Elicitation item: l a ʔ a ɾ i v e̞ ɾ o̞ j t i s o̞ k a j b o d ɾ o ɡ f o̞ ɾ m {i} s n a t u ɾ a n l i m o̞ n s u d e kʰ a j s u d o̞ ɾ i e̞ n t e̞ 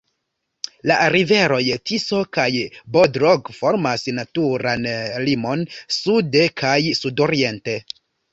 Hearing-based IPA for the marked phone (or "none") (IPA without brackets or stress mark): a